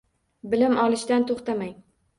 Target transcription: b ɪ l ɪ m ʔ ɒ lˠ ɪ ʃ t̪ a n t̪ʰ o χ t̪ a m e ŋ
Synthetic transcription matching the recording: b ɪ l ɪ m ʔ ɒ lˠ ɪ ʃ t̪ a n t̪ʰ o χ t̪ a m a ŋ

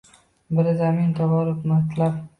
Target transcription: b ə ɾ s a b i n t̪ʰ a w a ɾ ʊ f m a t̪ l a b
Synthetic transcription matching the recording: b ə ɾ z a m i n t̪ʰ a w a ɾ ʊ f m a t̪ l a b

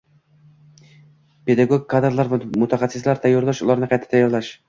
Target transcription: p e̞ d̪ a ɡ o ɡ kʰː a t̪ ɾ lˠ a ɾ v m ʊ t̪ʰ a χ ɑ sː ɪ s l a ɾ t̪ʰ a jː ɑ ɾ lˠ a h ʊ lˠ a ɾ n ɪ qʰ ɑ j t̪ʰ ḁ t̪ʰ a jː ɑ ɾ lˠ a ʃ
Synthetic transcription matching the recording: p e̞ d̪ a ɡ o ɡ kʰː a d̪ ɾ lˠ a ɾ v m ʊ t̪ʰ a χ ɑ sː ɪ s l a ɾ t̪ʰ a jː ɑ ɾ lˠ a ʃ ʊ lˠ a ɾ n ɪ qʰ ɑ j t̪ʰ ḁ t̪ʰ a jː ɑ ɾ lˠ a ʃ

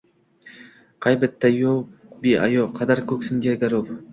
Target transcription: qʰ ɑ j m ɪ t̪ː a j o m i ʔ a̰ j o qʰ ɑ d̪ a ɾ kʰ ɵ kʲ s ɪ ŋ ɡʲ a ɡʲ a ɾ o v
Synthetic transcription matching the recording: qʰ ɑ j b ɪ t̪ː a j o b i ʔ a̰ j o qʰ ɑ d̪ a ɾ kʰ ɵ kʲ s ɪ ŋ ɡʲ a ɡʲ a ɾ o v

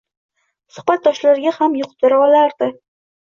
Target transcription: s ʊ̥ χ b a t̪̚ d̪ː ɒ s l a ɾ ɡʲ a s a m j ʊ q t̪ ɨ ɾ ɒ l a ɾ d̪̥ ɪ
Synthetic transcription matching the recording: s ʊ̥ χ b a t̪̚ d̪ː ɒ ʃ l a ɾ ɡʲ a h a m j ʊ q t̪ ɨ ɾ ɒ l a ɾ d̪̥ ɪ

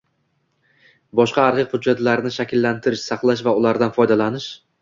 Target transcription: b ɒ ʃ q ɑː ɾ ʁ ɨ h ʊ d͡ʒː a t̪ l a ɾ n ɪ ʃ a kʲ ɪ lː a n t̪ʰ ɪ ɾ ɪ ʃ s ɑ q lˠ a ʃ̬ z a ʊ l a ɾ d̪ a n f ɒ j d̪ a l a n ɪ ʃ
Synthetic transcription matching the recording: b ɒ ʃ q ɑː ɾ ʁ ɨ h ʊ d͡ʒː a t̪ l a ɾ n ɪ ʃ a kʲ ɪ lː a n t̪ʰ ɪ ɾ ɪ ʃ s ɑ q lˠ a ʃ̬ v a ʊ l a ɾ d̪ a n f ɒ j d̪ a l a n ɪ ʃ

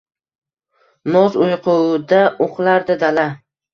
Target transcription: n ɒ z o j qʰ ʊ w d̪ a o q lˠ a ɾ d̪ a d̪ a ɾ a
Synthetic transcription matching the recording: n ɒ z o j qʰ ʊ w d̪ a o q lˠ a ɾ d̪ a d̪ a l a

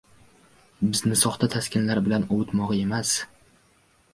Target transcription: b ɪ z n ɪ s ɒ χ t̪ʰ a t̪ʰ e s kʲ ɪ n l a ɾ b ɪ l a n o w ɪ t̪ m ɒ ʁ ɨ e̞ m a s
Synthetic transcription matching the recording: b ɪ z n ɪ s ɒ χ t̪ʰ a t̪ʰ a s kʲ ɪ n l a ɾ b ɪ l a n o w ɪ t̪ m ɒ ʁ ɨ e̞ m a s

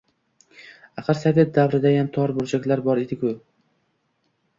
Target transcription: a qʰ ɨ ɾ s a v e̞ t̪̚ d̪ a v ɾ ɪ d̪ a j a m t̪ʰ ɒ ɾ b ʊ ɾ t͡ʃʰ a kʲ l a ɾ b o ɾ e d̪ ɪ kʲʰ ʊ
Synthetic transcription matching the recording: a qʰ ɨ ɾ s a v e̞ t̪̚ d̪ a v ɾ ɪ d̪ a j a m t̪ʰ ɒ ɾ b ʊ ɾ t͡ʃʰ a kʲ l a ɾ b ɒ ɾ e d̪ ɪ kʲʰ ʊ

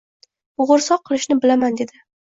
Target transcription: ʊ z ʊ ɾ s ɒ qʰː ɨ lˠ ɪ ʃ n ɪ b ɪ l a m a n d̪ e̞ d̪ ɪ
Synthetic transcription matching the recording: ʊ ʁ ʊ ɾ s ɒ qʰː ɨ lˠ ɪ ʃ n ɪ b ɪ l a m a n d̪ e̞ d̪ ɪ

